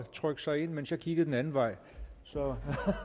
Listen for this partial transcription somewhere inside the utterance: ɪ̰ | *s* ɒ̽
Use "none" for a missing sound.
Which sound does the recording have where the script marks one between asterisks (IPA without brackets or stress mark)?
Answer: s